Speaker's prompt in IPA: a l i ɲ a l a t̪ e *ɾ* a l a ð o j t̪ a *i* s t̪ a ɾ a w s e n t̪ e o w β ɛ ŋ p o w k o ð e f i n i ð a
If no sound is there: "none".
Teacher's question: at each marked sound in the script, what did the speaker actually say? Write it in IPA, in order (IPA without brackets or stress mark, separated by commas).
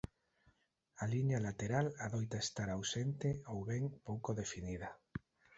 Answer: ɾ, e